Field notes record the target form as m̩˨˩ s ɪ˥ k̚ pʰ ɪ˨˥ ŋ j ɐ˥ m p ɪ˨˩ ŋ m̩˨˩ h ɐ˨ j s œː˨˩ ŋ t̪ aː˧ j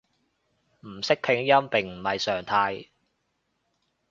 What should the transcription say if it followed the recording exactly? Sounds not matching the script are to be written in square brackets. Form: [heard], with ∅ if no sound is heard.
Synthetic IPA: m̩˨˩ s ɪ˥ k̚ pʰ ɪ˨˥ ŋ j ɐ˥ m p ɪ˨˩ ŋ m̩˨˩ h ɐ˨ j s œː˨˩ ŋ [t̪ʰ] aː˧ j